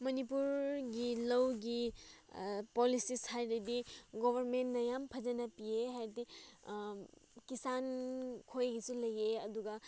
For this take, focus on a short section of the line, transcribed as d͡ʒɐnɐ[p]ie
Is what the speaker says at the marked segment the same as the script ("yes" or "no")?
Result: yes